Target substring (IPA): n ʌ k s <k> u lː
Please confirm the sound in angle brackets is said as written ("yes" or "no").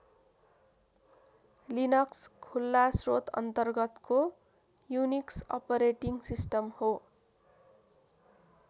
no